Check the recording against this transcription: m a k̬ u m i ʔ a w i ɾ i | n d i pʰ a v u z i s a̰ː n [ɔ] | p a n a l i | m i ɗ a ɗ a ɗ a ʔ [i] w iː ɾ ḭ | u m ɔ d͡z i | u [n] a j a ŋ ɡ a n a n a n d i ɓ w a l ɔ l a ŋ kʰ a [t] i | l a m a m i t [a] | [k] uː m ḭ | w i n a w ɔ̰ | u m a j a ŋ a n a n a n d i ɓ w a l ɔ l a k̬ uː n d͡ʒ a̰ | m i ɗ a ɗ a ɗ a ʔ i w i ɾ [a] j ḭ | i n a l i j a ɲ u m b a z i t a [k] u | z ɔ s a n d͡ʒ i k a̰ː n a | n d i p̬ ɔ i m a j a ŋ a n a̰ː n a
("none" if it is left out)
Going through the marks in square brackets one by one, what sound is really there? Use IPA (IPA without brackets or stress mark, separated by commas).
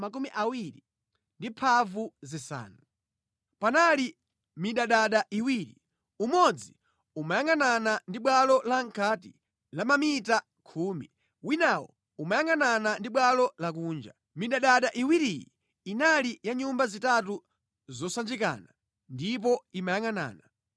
u, i, m, t, a, kʰ, i, t